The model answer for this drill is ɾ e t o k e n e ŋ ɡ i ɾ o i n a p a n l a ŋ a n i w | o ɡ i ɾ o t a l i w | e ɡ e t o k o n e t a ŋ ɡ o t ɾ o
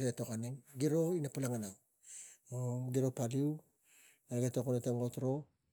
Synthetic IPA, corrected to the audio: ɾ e t o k a n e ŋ ɡ i ɾ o i n a p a l a ŋ a n a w | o ɡ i ɾ o p a l i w | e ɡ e t o k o n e t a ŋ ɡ o t ɾ o

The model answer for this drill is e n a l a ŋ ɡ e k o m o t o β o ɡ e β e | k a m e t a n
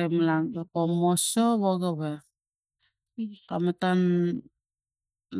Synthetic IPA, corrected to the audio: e m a l a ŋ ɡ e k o m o s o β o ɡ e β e | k a m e t a n

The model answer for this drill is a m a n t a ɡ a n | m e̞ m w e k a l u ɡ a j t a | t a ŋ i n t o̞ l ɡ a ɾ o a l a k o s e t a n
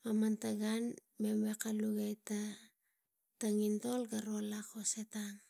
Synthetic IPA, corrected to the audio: a m a n t a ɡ a n | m e̞ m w e k a l u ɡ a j t a | t a ŋ i n t o̞ l ɡ a ɾ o a l a k o s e t a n

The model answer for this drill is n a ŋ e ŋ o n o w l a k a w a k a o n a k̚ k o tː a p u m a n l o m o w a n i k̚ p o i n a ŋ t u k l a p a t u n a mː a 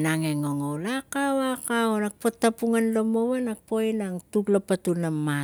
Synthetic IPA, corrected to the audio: n a ŋ e ŋ o ŋ o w l a k a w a k a o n a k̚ p o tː a p u ŋ a n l o m o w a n a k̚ p o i n a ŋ t u k l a p a t u n a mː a

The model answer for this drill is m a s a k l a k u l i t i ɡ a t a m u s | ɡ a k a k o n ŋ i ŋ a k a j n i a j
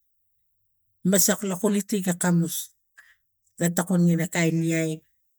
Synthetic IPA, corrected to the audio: m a s a k l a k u l i t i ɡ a k a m u s | ɡ a t a k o n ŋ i n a k a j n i a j

